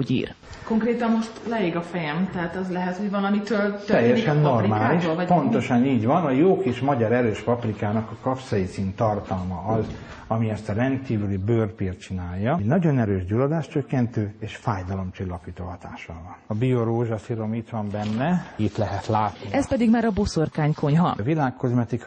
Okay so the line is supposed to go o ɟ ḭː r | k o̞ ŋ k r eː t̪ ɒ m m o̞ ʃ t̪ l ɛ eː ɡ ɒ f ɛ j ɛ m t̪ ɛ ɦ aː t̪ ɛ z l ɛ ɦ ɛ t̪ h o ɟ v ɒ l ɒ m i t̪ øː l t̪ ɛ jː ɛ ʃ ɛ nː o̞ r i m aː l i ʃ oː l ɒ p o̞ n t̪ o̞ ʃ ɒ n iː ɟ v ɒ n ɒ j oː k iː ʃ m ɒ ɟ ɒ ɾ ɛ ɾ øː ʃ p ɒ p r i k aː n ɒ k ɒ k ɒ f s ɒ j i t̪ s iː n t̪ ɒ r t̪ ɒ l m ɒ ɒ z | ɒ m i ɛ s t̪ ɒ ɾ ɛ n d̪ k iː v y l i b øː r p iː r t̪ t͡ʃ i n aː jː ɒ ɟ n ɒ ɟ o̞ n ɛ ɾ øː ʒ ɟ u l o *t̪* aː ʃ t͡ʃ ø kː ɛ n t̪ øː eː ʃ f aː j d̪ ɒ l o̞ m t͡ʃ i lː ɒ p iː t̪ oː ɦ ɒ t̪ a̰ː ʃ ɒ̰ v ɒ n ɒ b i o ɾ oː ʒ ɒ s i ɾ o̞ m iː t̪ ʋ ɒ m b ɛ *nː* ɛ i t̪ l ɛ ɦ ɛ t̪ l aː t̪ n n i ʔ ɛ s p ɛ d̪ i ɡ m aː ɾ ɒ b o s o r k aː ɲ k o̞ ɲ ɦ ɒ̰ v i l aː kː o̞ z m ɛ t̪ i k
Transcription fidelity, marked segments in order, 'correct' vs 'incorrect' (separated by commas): incorrect, correct